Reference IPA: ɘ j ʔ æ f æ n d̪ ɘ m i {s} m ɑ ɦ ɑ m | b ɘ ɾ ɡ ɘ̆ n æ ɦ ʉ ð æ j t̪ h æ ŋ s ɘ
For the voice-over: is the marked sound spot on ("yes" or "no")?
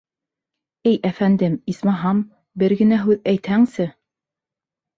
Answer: yes